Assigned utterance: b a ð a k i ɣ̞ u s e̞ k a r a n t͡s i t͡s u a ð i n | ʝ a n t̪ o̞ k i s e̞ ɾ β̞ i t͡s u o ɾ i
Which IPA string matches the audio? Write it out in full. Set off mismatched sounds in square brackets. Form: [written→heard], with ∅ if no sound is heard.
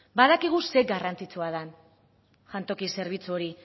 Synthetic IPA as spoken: b a ð a k i ɣ̞ u s e̞ [k→ɡ] a r a n t͡s i t͡s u a ð [i→a] n | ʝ a n t̪ o̞ k i s e̞ ɾ β̞ i t͡s u o ɾ i

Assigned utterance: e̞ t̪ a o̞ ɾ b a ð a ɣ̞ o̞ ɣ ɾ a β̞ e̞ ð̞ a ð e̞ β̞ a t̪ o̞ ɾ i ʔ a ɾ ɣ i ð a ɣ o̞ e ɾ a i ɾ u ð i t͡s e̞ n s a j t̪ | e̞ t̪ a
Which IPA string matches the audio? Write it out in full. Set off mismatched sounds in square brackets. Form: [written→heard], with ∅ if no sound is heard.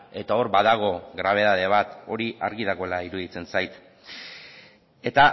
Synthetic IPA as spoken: e̞ t̪ a o̞ ɾ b a ð a ɣ̞ o̞ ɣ ɾ a β̞ e̞ ð̞ a ð e̞ β̞ a t̪ o̞ ɾ i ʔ a ɾ ɣ i ð a ɣ o̞ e [ɾ→l] a i ɾ u ð i t͡s e̞ n s a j t̪ | e̞ t̪ a

